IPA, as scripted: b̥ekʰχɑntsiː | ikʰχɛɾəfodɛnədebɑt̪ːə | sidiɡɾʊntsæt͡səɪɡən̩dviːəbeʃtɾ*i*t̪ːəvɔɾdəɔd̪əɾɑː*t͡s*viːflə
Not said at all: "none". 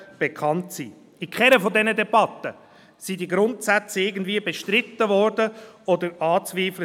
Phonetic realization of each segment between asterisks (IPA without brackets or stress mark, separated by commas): ɪ, t͡s